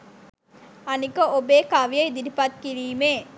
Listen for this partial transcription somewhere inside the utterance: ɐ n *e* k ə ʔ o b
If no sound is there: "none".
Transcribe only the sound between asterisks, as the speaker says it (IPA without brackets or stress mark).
i